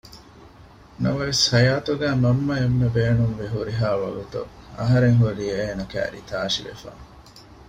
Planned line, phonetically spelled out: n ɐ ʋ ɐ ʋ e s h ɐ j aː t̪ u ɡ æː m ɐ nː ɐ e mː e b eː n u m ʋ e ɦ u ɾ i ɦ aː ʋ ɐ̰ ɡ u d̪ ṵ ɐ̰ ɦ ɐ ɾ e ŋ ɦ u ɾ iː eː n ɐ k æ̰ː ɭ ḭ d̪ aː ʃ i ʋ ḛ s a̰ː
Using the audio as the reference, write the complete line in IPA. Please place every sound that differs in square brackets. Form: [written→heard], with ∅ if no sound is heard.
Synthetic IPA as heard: n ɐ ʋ ɐ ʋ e s h ɐ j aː t̪ u ɡ æː m ɐ [nː→mː] ɐ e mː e b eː n u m ʋ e ɦ u ɾ i ɦ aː ʋ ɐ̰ ɡ u [d̪→t̪] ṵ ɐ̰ ɦ ɐ ɾ e ŋ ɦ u ɾ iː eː n ɐ k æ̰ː [ɭ→ɾ] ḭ [d̪→t̪] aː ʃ i ʋ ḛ [s→f] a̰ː

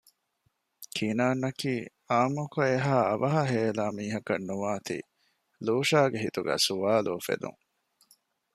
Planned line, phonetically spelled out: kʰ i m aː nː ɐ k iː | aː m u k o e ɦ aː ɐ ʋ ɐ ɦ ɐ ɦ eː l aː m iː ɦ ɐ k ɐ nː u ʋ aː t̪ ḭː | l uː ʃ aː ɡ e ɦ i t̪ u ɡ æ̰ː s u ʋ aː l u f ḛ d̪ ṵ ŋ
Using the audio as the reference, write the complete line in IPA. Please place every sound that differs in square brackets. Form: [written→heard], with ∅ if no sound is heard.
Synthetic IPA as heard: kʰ i [m→n] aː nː ɐ k iː | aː m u k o e ɦ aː ɐ ʋ ɐ ɦ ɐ ɦ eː l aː m iː ɦ ɐ k ɐ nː u ʋ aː t̪ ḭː | l uː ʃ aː ɡ e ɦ i t̪ u ɡ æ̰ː s u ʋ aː l u f ḛ d̪ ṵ ŋ

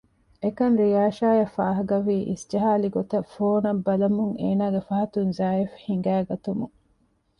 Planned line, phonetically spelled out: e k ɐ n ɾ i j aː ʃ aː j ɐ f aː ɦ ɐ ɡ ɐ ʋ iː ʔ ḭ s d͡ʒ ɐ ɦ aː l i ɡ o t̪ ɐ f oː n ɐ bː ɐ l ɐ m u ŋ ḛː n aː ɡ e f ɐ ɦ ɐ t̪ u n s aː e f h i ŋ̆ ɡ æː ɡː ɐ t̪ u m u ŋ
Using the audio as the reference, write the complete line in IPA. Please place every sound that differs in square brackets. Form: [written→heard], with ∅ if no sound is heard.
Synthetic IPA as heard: e k ɐ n ɾ i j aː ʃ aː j ɐ f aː ɦ ɐ ɡ ɐ ʋ iː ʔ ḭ s d͡ʒ ɐ ɦ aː l i ɡ o t̪ ɐ f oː n ɐ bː ɐ l ɐ m u ŋ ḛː n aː ɡ e f ɐ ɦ ɐ t̪ u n [s→z] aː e f h i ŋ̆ ɡ æː [ɡː→ɡ] ɐ t̪ u m u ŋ

